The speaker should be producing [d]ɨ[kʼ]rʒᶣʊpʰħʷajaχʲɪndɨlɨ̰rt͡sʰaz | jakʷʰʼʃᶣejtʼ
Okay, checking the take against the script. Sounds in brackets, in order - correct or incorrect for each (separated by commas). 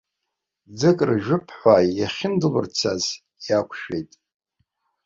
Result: incorrect, correct